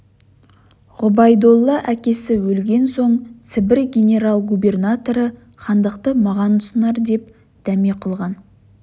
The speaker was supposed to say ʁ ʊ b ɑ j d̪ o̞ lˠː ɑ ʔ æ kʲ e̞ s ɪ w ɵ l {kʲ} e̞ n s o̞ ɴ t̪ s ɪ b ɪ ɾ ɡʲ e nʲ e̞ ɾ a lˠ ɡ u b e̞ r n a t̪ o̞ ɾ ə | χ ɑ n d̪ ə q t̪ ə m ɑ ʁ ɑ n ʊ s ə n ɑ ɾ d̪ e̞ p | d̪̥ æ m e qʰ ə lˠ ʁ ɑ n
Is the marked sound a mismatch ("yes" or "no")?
yes